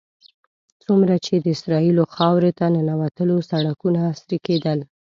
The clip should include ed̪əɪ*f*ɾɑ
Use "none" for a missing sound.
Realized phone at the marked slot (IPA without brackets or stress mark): s